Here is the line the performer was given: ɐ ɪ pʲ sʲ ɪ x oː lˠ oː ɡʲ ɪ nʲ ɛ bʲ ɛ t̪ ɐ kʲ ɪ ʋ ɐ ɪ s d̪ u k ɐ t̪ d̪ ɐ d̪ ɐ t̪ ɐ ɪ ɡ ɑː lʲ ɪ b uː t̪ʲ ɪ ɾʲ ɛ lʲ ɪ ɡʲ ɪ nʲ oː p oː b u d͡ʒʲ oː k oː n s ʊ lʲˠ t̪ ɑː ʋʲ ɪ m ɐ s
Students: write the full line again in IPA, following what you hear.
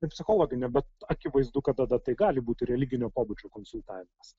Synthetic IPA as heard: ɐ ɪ pʲ sʲ ɪ x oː lˠ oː ɡʲ ɪ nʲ ɛ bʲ ɛ t̪ ɐ kʲ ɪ ʋ ɐ ɪ z d̪ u k ɐ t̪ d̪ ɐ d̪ ɐ t̪ ɐ ɪ ɡ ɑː lʲ ɪ b uː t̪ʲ ɪ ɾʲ ɛ lʲ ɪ ɡʲ ɪ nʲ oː p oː b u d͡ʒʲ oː k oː n s ʊ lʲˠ t̪ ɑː ʋʲ ɪ m ɐ s

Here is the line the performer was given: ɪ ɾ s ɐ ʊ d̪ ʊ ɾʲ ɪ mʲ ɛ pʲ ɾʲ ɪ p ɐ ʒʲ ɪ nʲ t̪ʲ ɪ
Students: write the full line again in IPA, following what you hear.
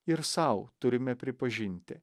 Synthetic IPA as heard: ɪ ɾ s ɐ ʊ t̪ ʊ ɾʲ ɪ mʲ ɛ pʲ ɾʲ ɪ p ɐ ʒʲ ɪ nʲ t̪ʲ ɪ

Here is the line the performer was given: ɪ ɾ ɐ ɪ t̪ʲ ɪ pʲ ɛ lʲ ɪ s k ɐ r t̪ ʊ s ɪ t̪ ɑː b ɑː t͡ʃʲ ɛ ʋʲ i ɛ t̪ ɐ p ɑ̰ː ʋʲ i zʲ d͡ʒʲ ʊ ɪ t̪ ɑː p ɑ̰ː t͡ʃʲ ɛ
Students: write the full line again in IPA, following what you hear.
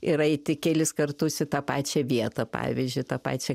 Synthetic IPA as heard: ɪ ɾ ɐ ɪ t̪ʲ ɪ kʲ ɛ lʲ ɪ s k ɐ r t̪ ʊ s ɪ t̪ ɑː p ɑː t͡ʃʲ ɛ ʋʲ i ɛ t̪ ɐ p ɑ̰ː ʋʲ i zʲ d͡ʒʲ ʊ ɪ t̪ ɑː p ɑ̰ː t͡ʃʲ ɛ

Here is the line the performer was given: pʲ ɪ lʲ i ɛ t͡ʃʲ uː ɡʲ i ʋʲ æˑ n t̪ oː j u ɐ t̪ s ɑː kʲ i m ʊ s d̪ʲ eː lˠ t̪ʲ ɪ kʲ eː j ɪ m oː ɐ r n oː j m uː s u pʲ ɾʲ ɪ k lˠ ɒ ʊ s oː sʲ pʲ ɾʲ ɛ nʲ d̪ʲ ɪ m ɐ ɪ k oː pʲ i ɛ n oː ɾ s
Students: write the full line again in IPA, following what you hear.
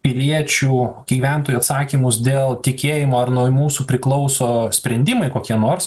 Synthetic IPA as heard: pʲ ɪ lʲ i ɛ t͡ʃʲ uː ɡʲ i ʋʲ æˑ n t̪ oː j u ɐ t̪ s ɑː kʲ i m ʊ s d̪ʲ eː lˠ t̪ʲ ɪ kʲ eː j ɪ m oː ɐ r n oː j m uː s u pʲ ɾʲ ɪ k lˠ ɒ ʊ s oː sʲ pʲ ɾʲ ɛ nʲ d̪ʲ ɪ m ɐ ɪ k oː kʲ i ɛ n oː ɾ s

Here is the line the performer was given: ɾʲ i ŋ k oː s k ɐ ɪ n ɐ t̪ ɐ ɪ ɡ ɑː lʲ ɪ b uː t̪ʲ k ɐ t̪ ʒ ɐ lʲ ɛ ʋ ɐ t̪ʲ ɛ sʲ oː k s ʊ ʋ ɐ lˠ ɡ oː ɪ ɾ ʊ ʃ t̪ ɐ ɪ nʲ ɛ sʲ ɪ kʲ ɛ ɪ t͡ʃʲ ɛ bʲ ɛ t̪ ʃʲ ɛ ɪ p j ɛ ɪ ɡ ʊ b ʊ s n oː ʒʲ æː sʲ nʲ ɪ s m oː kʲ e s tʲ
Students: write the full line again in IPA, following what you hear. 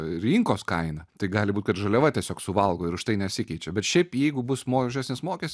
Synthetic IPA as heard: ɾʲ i ŋ k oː s k ɐ ɪ n ɐ t̪ ɐ ɪ ɡ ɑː lʲ ɪ b uː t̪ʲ k ɐ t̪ ʒ ɐ lʲ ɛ ʋ ɐ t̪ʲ ɛ sʲ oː k s ʊ ʋ ɐ lˠ ɡ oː ɪ ɾ ʊ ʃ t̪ ɐ ɪ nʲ ɛ sʲ ɪ kʲ ɛ ɪ t͡ʃʲ ɛ bʲ ɛ t̪ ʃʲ ɛ ɪ p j ɛ ɪ ɡ ʊ b ʊ s m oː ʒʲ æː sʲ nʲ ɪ s m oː kʲ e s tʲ

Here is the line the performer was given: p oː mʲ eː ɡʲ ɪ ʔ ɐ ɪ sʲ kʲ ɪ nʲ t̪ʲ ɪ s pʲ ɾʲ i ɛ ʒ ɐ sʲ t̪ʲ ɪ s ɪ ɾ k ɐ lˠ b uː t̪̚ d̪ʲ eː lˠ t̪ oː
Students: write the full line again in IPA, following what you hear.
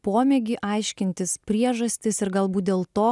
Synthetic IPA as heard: p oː mʲ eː ɡʲ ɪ ʔ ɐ ɪ ʃʲ kʲ ɪ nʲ t̪ʲ ɪ s pʲ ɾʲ i ɛ ʒ ɐ sʲ t̪ʲ ɪ s ɪ ɾ ɡ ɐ lˠ b uː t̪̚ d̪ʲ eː lˠ t̪ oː

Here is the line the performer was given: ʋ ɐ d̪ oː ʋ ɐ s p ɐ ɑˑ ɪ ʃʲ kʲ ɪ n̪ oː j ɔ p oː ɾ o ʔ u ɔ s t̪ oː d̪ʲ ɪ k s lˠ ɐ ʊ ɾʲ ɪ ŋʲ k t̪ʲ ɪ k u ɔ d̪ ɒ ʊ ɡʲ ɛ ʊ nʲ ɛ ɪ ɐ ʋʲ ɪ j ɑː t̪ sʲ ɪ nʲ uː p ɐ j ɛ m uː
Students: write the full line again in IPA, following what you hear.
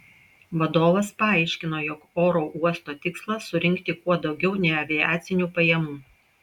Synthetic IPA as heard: ʋ ɐ d̪ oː ʋ ɐ s p ɐ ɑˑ ɪ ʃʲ kʲ ɪ n̪ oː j ɔ k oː ɾ o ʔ u ɔ s t̪ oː t̪ʲ ɪ k s lˠ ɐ ʊ ɾʲ ɪ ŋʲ k t̪ʲ ɪ k u ɔ d̪ ɒ ʊ ɡʲ ɛ ʊ nʲ ɛ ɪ ɐ ʋʲ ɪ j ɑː t̪ sʲ ɪ nʲ uː p ɐ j ɛ m uː

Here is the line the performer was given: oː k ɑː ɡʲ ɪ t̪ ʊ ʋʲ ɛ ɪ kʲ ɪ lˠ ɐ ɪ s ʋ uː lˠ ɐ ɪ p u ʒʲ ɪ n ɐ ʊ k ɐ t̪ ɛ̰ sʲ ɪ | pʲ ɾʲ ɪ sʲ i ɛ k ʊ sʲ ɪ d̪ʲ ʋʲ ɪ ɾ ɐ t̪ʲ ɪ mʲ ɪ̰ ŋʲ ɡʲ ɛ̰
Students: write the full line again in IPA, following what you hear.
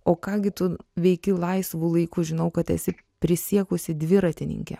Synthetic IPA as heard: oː k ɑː ɡʲ ɪ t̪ ʊ ʋʲ ɛ ɪ kʲ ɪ lˠ ɐ ɪ s ʋ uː lˠ ɐ ɪ k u ʒʲ ɪ n ɐ ʊ k ɐ t̪ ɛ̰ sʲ ɪ | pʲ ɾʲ ɪ sʲ i ɛ k ʊ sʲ ɪ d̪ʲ ʋʲ ɪ ɾ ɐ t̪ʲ ɪ nʲ ɪ̰ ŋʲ kʲ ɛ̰

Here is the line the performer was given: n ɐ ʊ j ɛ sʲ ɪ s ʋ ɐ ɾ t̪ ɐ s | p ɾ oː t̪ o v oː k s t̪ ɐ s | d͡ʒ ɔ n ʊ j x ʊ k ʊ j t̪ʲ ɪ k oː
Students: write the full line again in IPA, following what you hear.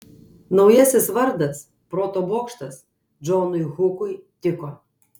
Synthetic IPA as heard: n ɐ ʊ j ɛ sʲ ɪ s ʋ ɐ ɾ d̪ ɐ s | p ɾ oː t̪ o b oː k ʃ t̪ ɐ s | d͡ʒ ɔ n ʊ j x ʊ k ʊ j t̪ʲ ɪ k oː

